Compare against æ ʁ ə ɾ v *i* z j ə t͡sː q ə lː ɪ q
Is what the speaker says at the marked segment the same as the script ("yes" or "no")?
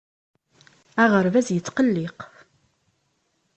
no